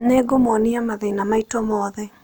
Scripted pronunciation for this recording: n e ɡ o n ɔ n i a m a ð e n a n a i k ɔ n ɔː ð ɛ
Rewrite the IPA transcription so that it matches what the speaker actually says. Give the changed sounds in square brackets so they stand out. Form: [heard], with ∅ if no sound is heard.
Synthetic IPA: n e ɡ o [m] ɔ n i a m a ð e n a [m] a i [t] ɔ [m] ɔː ð ɛ